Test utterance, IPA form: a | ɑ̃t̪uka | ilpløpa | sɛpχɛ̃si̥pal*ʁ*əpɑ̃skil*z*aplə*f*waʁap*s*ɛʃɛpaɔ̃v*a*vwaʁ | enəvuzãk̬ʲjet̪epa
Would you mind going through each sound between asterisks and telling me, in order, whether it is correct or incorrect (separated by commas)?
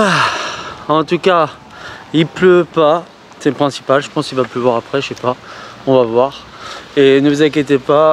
incorrect, incorrect, incorrect, incorrect, correct